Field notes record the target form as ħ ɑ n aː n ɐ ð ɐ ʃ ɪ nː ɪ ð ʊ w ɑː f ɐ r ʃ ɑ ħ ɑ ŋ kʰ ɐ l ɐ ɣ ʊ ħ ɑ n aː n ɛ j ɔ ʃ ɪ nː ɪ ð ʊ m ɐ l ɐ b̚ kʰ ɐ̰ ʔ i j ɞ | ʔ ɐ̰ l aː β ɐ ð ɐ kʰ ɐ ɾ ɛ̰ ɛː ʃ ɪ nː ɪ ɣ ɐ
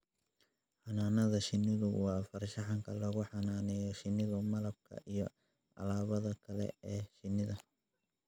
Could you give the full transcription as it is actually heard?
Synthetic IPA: ħ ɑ n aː n ɐ ð ɐ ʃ ɪ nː ɪ ð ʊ w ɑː f ɐ r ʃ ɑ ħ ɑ ŋ kʰ ɐ l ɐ ɣ ʊ ħ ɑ n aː n ɛ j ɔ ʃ ɪ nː ɪ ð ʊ m ɐ l ɐ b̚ kʰ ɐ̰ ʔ i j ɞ | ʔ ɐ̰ l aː β ɐ ð ɐ kʰ ɐ l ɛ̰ ɛː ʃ ɪ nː ɪ ð ɐ